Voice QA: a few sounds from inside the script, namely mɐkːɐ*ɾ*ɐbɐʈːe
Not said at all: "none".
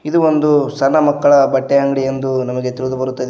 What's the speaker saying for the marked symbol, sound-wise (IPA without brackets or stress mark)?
ɭ